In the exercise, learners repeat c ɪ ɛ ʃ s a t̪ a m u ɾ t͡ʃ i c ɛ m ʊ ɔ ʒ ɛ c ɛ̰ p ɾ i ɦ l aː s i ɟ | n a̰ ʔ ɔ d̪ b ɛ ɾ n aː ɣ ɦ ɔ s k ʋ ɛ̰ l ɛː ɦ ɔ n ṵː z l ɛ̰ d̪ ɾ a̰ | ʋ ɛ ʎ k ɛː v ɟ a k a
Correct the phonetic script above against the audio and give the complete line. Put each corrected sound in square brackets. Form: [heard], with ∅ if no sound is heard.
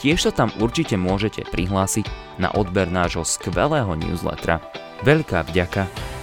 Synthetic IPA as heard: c ɪ ɛ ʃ s a t̪ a m u ɾ t͡ʃ i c ɛ m ʊ ɔ ʒ ɛ c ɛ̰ p ɾ i ɦ l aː s i ɟ | n a̰ ʔ ɔ d̪ b ɛ ɾ n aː [ʒ] ɦ ɔ s k ʋ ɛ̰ l ɛː ɦ ɔ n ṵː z l ɛ̰ [t̪] ɾ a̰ | ʋ ɛ ʎ k [aː] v ɟ a k a